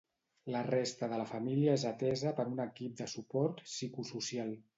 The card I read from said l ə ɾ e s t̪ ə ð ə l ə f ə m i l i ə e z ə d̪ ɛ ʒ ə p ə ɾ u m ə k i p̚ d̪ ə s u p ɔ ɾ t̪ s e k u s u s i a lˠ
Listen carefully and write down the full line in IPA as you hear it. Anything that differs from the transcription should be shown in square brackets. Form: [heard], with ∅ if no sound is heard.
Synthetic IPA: l ə [r] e s t̪ ə ð ə l ə f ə m i l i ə e z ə [t̪] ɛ [z] ə p ə ɾ u [n] ə k i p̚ d̪ ə s u p ɔ ɾ t̪ s [i] k u s u s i a lˠ